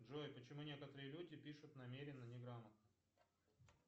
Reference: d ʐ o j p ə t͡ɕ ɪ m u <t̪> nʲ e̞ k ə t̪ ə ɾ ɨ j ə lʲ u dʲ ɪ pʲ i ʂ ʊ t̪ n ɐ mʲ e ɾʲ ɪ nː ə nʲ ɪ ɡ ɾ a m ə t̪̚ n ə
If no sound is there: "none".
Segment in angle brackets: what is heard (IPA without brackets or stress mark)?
none